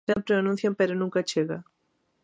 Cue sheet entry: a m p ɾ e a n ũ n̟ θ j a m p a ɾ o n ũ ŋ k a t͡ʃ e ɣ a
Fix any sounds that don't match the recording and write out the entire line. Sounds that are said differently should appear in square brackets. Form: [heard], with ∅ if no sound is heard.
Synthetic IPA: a m p ɾ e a n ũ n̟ θ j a m p [e] ɾ o n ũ ŋ k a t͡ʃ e ɣ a